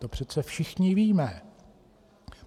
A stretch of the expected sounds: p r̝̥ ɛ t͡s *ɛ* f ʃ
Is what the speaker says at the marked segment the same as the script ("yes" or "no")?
yes